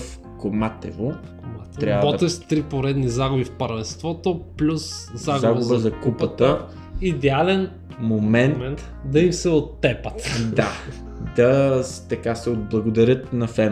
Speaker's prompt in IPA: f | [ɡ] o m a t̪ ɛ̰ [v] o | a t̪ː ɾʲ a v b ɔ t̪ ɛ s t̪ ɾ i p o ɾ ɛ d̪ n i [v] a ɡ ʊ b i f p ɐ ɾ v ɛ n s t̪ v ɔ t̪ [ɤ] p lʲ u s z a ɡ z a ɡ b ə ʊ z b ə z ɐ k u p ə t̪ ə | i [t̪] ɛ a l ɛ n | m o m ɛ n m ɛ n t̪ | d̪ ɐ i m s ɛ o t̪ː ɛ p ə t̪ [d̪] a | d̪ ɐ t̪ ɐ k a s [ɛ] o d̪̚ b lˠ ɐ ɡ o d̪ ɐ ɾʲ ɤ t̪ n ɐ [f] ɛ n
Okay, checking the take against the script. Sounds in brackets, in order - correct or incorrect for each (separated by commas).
incorrect, correct, incorrect, incorrect, incorrect, correct, correct, correct